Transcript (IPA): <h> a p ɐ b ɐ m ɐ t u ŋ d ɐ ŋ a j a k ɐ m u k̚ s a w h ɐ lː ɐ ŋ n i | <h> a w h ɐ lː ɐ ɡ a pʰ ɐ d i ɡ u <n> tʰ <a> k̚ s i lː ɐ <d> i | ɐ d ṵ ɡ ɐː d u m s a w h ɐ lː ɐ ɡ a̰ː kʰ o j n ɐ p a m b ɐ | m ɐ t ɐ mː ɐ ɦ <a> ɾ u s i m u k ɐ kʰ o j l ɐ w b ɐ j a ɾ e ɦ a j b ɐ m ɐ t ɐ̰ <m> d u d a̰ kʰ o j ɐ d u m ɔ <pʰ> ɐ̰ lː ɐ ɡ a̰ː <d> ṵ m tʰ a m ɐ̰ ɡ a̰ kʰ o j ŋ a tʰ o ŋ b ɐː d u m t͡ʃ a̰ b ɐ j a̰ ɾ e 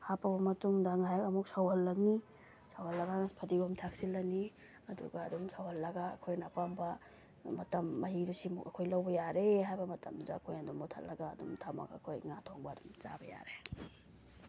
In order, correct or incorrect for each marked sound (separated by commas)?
correct, incorrect, incorrect, correct, incorrect, incorrect, correct, incorrect, correct